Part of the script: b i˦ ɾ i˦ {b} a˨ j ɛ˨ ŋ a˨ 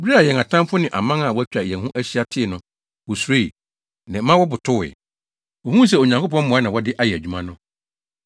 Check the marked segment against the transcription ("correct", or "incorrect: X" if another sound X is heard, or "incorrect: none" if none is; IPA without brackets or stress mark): incorrect: none